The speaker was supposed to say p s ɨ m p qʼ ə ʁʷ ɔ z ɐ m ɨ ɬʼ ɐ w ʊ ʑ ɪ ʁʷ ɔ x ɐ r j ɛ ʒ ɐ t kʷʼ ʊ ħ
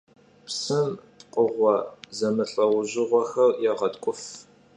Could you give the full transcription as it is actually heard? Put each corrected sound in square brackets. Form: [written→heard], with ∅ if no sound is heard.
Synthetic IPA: p s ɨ m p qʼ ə ʁʷ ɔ z ɐ m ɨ ɬʼ ɐ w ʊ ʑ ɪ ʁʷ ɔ x ɐ r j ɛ [ʒ→ʁ] ɐ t kʷʼ ʊ [ħ→f]